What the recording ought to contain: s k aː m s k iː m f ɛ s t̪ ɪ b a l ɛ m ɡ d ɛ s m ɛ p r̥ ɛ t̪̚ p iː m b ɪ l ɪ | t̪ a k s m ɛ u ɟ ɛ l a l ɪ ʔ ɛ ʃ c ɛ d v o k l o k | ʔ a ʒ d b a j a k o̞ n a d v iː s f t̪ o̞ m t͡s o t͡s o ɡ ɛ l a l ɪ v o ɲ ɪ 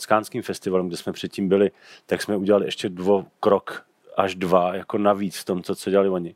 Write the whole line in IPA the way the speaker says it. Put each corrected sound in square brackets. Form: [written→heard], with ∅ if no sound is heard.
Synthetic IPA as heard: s k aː [m→n] s k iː m f ɛ s t̪ ɪ [b→v] a l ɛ m ɡ d ɛ s m ɛ p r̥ ɛ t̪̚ [p→c] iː m b ɪ l ɪ | t̪ a k s m ɛ u ɟ ɛ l a l ɪ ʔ ɛ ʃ c ɛ d v o k [l→ɾ] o k | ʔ a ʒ d [b→v] a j a k o̞ n a [d→∅] v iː [s→t͡s] f t̪ o̞ m t͡s o t͡s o [ɡ→ɟ] ɛ l a l ɪ v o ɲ ɪ